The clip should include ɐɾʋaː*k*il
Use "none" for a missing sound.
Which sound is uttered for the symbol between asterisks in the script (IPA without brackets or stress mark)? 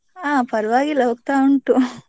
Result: ɡ